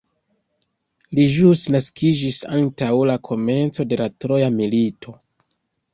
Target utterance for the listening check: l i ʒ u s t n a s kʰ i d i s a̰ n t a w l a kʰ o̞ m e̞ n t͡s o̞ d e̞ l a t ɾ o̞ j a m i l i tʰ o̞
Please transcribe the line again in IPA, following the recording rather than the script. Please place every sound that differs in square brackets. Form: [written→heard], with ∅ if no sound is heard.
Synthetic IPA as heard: l i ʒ u s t n a s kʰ i [d→d͡ʒ] i s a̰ n t a w l a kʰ o̞ m e̞ n t͡s o̞ d e̞ l a t ɾ o̞ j a m i l i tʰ o̞